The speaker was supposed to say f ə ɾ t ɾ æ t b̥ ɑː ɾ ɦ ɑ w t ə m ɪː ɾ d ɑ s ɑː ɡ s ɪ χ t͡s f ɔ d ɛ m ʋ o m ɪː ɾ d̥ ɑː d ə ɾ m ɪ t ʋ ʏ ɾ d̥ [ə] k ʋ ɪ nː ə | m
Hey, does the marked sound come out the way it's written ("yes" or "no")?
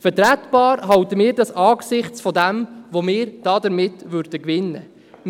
yes